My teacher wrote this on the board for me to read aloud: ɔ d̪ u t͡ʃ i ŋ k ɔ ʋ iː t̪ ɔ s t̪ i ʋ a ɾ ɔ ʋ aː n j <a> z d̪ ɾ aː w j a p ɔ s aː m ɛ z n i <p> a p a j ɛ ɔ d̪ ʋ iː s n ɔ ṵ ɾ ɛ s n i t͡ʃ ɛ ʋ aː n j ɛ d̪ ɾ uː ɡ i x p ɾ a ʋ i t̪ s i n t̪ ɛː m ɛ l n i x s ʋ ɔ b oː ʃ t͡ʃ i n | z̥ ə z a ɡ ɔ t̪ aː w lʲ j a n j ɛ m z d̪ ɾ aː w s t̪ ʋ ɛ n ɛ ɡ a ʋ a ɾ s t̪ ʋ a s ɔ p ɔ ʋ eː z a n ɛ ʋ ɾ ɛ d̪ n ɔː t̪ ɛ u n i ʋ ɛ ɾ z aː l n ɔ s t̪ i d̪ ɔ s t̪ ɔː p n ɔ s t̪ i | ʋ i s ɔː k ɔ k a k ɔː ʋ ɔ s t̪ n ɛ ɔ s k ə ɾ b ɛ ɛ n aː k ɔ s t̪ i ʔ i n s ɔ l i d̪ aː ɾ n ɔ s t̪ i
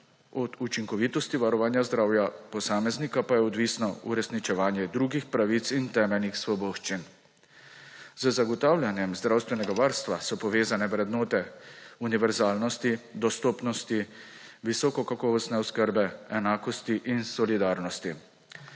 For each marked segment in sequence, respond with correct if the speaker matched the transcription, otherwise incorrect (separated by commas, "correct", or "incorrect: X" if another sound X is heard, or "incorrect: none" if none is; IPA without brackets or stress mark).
correct, incorrect: k